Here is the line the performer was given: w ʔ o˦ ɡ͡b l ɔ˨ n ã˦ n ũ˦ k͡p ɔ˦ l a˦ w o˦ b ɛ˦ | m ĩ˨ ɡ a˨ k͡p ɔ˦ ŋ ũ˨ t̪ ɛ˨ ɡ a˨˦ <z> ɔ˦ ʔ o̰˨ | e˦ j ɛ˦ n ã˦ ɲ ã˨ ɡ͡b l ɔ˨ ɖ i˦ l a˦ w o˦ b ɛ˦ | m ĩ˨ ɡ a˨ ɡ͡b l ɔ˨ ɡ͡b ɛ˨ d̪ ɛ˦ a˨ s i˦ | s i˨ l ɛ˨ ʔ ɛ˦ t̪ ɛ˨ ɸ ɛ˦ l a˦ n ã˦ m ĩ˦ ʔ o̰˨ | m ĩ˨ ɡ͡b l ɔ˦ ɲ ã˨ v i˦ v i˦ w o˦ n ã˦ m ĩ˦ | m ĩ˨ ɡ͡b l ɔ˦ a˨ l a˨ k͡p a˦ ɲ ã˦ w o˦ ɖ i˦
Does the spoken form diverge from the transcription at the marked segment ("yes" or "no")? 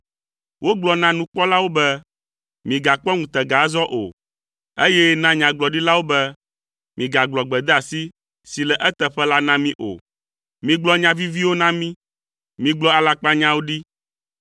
no